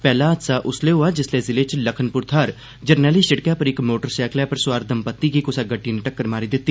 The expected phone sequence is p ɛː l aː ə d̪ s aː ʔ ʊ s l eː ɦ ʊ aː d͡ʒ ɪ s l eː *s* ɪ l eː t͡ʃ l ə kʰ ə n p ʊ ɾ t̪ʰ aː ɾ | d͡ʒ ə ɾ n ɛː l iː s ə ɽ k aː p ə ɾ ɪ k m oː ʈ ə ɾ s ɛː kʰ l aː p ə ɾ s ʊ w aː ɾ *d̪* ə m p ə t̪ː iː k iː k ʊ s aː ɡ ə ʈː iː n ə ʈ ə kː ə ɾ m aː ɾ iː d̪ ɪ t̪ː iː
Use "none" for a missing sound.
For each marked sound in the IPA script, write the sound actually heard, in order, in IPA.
z, d̪

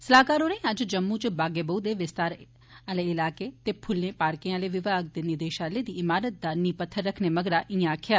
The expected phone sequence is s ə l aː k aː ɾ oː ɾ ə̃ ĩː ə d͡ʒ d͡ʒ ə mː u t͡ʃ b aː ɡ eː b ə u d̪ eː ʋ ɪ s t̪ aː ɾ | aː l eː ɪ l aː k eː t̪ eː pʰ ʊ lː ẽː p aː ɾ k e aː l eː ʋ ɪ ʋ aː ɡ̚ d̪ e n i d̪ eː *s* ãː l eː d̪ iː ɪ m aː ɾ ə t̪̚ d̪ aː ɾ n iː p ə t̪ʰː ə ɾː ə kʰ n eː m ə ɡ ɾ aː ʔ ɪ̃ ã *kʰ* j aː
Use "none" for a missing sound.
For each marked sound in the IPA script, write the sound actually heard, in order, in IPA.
ʃ, kʰ

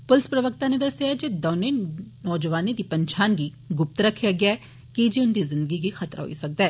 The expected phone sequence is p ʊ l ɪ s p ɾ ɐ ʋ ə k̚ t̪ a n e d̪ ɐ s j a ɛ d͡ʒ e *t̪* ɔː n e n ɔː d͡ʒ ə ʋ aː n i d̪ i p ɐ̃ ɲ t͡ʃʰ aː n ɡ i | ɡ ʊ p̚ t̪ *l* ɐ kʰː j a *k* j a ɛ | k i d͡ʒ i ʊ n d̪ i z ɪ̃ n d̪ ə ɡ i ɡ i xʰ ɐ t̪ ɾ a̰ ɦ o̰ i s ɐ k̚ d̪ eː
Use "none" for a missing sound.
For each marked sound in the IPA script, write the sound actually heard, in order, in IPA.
d̪, ɾ, ɡ

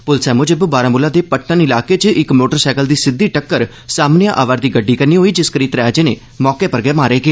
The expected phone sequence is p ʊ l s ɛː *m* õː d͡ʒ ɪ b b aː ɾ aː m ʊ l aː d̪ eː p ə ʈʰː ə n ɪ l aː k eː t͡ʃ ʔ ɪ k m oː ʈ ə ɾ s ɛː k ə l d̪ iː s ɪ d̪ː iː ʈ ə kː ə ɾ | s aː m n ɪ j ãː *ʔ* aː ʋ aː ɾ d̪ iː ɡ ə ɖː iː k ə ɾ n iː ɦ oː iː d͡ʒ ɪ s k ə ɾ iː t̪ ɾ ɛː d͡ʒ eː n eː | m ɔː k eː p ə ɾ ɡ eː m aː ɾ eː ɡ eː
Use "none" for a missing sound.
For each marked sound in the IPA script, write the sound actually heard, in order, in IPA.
m, ʔ

